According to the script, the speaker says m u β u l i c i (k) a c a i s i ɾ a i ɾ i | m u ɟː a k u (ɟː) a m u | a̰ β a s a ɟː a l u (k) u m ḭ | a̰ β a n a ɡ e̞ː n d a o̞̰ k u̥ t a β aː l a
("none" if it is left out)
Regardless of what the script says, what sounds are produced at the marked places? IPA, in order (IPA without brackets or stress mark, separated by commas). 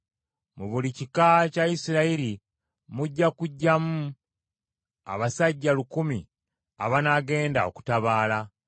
k, ɟː, k